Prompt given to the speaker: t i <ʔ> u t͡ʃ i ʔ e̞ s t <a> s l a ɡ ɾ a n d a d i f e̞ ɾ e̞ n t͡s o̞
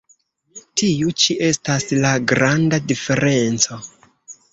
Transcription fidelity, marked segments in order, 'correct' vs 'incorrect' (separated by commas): incorrect, correct